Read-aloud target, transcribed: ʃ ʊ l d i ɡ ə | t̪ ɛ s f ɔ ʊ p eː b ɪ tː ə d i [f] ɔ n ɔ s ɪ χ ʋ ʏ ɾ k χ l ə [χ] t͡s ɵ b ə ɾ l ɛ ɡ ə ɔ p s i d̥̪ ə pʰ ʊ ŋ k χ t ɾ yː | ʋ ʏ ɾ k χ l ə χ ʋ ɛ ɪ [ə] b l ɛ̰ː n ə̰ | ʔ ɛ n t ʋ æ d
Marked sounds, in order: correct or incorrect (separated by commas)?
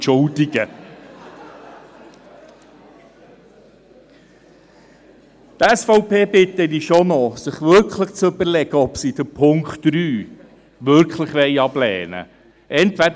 incorrect, correct, incorrect